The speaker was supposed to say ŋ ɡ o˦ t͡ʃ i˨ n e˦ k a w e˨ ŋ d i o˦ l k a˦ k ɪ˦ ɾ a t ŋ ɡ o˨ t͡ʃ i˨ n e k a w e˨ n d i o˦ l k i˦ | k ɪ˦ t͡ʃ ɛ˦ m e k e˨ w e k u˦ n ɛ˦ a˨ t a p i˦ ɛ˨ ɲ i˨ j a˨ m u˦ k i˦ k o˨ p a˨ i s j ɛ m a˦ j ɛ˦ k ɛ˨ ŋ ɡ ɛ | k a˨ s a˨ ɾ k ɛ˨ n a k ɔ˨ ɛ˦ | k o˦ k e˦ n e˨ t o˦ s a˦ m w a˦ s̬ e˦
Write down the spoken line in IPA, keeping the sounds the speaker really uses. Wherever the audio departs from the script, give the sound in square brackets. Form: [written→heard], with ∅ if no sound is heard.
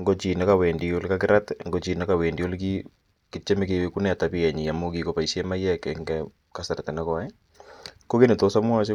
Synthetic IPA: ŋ ɡ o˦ t͡ʃ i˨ n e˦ k a w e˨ [ŋ→n] d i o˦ l k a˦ k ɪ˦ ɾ a t ŋ ɡ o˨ t͡ʃ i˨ n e k a w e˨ n d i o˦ l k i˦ | k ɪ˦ t͡ʃ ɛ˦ m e k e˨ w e k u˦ n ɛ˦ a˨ t a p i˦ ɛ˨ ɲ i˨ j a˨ m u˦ k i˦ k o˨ p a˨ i s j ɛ m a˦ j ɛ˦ k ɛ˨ ŋ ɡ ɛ | k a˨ s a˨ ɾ [k→t] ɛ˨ n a k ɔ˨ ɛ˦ | k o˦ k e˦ n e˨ t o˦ s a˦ m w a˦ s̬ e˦